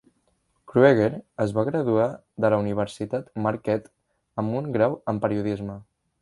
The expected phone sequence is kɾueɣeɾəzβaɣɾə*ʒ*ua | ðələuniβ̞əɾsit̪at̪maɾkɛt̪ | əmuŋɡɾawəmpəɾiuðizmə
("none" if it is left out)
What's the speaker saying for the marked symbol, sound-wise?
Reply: ð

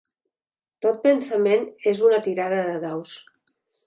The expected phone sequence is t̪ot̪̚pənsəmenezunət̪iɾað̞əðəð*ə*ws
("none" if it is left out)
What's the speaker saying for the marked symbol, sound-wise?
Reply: a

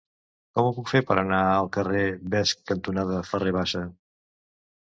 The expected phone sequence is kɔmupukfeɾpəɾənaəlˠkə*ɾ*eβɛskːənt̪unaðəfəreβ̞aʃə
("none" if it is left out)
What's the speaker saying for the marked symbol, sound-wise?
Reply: r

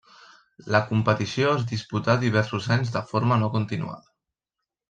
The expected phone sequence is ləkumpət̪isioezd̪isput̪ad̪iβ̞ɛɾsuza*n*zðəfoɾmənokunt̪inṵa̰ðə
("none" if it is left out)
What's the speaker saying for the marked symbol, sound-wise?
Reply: ɲ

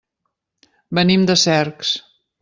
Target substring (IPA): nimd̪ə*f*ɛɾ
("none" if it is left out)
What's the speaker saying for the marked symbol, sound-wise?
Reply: s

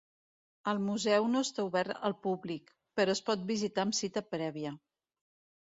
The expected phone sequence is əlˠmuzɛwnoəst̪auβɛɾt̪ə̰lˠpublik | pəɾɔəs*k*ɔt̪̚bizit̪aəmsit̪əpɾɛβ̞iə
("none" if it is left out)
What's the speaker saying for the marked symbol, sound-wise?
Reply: p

